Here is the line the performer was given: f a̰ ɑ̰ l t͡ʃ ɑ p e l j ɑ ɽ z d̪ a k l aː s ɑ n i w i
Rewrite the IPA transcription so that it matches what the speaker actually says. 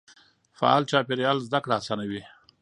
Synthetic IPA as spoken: f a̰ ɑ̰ l t͡ʃ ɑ p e ɾ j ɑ l z d̪ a k ɽ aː s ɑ n a w i